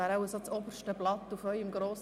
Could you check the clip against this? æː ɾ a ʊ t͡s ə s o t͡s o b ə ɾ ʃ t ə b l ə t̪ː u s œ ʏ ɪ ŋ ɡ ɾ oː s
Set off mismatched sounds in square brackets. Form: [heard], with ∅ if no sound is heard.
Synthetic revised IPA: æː ɾ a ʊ [∅] ə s o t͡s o b ə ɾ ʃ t ə b l [ɑ] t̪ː u [f] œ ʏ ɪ [m] ɡ ɾ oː s